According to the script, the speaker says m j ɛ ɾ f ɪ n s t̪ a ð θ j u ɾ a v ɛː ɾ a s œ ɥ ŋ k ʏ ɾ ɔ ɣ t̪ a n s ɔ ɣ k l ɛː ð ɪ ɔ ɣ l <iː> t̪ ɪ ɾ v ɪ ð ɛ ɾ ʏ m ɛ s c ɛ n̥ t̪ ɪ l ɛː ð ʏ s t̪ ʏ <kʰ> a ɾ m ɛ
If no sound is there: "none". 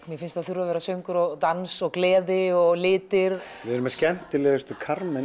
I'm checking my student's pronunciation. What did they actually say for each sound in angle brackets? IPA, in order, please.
ɪː, kʰ

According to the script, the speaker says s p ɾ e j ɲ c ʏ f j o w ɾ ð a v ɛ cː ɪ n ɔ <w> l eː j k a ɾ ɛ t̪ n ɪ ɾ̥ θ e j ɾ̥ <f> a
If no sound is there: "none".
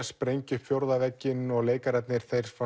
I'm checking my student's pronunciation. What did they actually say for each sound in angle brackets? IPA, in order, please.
ɣ, f

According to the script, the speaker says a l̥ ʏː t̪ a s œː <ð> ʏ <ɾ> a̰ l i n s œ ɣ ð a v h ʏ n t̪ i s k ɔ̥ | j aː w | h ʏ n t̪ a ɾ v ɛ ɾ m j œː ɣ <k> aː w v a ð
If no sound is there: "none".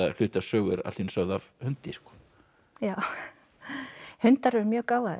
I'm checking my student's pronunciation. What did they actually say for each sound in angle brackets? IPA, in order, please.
ɣ, ɾ, k

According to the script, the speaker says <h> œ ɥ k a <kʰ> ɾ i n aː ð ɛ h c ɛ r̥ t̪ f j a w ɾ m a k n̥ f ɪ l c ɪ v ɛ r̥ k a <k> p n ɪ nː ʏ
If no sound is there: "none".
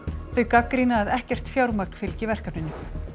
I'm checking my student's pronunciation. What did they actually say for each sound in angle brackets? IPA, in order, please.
θ, k, none

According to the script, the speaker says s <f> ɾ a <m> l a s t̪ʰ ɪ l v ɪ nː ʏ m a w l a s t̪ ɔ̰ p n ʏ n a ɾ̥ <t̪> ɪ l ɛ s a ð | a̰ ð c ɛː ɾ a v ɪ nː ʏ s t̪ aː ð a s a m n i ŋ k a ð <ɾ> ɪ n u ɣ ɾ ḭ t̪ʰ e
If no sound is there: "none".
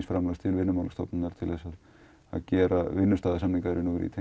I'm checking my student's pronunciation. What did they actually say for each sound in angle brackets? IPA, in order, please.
f, m, t̪ʰ, ɾ

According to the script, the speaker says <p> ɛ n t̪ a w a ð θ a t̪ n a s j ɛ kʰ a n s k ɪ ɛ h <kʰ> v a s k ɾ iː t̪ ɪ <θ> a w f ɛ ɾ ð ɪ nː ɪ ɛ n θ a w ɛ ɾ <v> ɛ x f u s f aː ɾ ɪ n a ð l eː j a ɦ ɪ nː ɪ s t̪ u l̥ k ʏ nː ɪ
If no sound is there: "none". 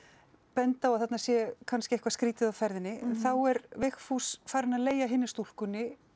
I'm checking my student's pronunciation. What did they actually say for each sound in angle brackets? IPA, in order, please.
p, k, ð, v

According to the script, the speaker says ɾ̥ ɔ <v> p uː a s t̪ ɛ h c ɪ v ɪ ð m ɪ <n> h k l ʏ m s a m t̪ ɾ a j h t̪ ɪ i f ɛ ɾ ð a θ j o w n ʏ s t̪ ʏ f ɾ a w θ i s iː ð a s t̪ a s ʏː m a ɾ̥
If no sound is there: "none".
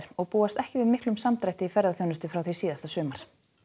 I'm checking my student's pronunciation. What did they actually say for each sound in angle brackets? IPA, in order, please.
ɣ, none

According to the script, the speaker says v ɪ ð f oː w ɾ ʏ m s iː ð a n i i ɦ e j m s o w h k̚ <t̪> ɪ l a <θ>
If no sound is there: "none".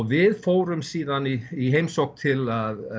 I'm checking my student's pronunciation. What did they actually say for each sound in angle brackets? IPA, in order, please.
t̪ʰ, ð

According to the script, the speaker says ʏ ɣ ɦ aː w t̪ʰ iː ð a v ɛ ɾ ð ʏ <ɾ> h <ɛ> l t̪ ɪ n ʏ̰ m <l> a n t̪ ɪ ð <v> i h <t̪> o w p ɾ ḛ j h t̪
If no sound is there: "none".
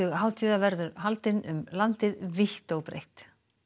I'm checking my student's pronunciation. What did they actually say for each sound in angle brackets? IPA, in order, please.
ɾ, a, l, v, t̪

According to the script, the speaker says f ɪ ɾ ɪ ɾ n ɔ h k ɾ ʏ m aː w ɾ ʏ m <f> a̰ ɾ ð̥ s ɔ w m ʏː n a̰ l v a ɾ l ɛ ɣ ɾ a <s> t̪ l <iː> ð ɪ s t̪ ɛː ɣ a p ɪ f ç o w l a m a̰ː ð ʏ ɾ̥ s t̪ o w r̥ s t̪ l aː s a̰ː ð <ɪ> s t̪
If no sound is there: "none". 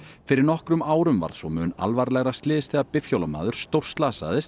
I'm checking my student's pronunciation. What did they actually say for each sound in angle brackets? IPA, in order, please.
v, s, ɪː, ɪ

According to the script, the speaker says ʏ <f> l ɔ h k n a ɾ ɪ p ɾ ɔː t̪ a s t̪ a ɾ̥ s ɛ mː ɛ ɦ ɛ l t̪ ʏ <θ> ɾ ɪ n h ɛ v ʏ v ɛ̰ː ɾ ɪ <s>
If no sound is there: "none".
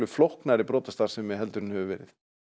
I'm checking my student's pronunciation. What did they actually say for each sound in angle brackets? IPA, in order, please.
f, none, θ

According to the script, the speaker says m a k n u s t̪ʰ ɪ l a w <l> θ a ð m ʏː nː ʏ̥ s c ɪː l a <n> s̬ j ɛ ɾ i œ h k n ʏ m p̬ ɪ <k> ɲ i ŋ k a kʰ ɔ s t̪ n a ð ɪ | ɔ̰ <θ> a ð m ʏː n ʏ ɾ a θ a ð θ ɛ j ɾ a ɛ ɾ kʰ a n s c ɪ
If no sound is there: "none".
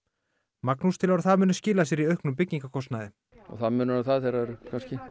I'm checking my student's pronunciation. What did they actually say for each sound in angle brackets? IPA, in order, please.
ɾ, none, c, θ

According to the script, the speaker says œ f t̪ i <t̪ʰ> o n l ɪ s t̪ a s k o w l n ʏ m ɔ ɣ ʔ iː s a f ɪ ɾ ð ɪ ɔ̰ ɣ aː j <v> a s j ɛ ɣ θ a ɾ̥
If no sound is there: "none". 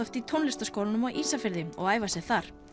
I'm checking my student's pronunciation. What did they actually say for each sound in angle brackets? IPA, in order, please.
t̪ʰ, v

